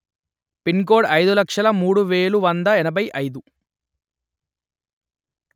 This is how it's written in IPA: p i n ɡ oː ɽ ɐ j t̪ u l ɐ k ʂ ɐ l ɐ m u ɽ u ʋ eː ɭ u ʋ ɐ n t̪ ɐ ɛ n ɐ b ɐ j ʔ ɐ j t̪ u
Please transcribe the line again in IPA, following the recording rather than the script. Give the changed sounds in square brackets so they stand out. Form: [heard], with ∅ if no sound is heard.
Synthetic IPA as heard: p i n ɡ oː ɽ ɐ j [d̪] u l ɐ k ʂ ɐ l ɐ m [uː] ɽ u ʋ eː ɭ u ʋ ɐ n [d̪] ɐ ɛ n ɐ b ɐ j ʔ ɐ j [d̪] u